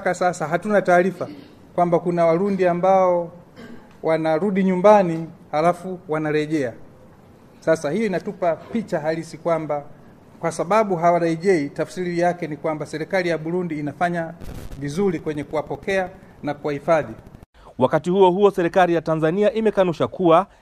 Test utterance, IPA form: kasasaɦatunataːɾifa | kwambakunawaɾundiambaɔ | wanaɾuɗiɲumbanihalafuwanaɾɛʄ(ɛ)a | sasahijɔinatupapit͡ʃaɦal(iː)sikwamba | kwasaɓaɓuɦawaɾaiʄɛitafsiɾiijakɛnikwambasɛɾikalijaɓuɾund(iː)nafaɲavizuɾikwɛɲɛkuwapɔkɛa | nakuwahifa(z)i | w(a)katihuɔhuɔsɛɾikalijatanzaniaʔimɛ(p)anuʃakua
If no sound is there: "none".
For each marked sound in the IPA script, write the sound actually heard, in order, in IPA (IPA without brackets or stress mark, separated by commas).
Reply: ɛ, i, iː, ð, a, k